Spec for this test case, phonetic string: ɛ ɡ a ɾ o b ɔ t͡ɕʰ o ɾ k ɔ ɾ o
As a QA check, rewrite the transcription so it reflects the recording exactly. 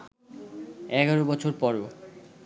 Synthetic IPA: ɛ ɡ a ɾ o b ɔ t͡ɕʰ o ɾ p ɔ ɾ o